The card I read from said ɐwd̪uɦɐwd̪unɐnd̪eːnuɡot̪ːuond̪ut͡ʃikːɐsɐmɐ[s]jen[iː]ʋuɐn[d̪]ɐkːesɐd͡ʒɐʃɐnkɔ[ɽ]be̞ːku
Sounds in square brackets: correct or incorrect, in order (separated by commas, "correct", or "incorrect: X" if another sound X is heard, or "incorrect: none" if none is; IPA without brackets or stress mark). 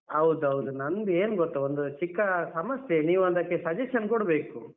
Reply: correct, correct, correct, correct